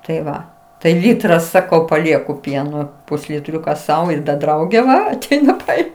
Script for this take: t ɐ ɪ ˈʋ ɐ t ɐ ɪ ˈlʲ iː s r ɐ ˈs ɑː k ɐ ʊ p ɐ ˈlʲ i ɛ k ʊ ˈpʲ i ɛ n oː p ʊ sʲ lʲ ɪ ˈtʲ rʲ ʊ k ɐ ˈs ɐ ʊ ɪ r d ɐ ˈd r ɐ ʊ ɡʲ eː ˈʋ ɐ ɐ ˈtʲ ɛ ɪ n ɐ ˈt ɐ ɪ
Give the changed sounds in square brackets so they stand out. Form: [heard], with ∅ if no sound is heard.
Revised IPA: t ɐ ɪ ˈʋ ɐ t ɐ ɪ ˈlʲ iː [t] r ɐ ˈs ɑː k ɐ ʊ p ɐ ˈlʲ i ɛ k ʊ ˈpʲ i ɛ n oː p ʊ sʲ lʲ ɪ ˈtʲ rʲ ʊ k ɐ ˈs ɐ ʊ ɪ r d ɐ ˈd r ɐ ʊ ɡʲ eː ˈʋ ɐ ɐ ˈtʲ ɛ ɪ n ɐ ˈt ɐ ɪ